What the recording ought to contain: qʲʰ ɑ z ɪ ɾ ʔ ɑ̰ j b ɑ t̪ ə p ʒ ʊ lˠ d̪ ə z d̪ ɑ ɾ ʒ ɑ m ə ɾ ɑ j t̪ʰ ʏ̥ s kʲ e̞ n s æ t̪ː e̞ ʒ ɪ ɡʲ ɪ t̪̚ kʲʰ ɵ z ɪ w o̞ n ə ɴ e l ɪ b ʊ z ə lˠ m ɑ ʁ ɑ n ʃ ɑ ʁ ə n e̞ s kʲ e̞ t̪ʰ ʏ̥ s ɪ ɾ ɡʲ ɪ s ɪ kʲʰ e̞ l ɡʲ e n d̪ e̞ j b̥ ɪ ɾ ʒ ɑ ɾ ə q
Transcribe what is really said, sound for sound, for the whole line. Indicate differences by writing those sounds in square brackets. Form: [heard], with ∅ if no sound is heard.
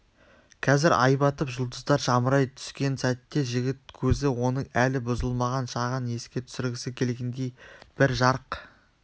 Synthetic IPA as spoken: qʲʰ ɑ z ɪ ɾ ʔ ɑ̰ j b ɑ t̪ ə p ʒ ʊ lˠ d̪ ə z d̪ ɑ ɾ ʒ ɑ m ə ɾ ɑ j t̪ʰ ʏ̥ s kʲ e̞ n s æ t̪ː e̞ ʒ ɪ ɡʲ ɪ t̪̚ kʲʰ ɵ z ɪ w o̞ n ə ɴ [æ] l ɪ b ʊ z ə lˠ m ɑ ʁ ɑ n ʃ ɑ ʁ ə n e̞ s kʲ e̞ t̪ʰ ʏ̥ s ɪ ɾ ɡʲ ɪ s ɪ kʲʰ e̞ l ɡʲ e n d̪ e̞ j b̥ ɪ ɾ ʒ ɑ ɾ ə q